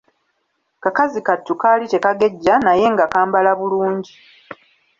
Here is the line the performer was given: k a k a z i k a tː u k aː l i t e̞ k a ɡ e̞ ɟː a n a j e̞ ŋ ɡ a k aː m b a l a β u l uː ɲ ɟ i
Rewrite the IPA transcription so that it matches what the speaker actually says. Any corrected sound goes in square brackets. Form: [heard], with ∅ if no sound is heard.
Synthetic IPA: k a k a z i k a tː u k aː l i t e̞ k a ɡ e̞ ɟː a n a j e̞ ŋ ɡ a k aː m b a l a β u l uː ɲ ɟ i